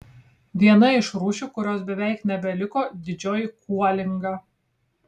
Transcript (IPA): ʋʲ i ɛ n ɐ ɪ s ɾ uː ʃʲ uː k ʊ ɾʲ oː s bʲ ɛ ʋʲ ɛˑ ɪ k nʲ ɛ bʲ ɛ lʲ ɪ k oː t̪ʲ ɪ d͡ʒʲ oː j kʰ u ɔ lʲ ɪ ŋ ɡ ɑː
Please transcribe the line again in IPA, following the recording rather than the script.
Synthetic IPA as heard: ʋʲ i ɛ n ɐ ɪ ʃ ɾ uː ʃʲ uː k ʊ ɾʲ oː s bʲ ɛ ʋʲ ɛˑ ɪ k nʲ ɛ bʲ ɛ lʲ ɪ k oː d̪ʲ ɪ d͡ʒʲ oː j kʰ u ɔ lʲ ɪ ŋ ɡ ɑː